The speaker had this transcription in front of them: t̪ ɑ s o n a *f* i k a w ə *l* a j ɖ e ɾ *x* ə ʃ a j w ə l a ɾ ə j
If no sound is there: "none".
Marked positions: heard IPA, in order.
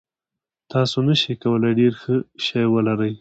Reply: ʃ, l, x

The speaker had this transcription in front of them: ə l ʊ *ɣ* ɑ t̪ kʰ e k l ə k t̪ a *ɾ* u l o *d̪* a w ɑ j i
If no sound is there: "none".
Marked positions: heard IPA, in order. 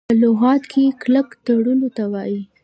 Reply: ɣ, ɽ, t̪

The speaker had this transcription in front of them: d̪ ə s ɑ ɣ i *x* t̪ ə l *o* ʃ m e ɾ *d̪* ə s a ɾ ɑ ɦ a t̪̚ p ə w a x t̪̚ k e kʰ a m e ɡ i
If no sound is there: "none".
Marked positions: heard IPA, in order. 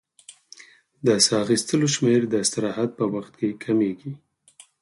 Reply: s, o, d̪

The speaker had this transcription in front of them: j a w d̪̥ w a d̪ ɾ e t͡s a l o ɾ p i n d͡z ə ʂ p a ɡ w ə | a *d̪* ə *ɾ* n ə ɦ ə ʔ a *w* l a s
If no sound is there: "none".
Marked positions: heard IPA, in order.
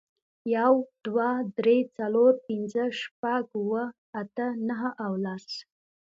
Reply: t̪, none, w

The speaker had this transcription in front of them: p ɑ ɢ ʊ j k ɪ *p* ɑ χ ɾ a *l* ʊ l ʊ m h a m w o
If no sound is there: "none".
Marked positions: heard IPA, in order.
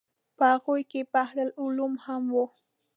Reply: p, l

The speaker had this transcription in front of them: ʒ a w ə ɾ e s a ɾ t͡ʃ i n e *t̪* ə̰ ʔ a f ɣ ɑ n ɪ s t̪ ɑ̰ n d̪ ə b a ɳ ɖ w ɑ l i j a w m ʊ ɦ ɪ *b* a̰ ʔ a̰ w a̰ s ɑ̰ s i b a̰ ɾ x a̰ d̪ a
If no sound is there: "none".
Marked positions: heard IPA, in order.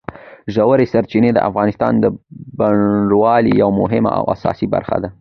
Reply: d̪, m

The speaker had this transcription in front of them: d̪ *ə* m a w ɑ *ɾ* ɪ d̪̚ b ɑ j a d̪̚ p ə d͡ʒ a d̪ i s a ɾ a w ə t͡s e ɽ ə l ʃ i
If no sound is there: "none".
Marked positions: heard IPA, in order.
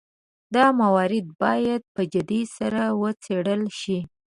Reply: ɑ, ɾ

